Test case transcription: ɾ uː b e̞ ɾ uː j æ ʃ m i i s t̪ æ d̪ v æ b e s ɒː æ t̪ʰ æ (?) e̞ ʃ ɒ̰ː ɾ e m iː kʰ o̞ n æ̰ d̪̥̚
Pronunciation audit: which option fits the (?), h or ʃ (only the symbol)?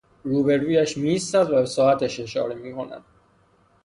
ʃ